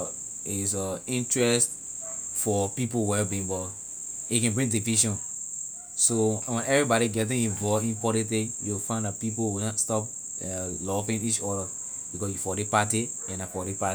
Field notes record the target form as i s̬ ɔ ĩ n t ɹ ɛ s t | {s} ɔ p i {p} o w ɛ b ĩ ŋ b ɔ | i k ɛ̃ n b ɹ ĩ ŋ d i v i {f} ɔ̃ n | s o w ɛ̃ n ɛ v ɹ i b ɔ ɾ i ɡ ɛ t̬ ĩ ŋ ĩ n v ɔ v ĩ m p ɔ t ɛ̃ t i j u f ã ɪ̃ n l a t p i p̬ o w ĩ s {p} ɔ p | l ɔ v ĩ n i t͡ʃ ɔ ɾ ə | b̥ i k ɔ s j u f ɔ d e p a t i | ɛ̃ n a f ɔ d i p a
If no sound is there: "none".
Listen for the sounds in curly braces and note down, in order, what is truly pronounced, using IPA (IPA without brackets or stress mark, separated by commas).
f, p, ʃ, t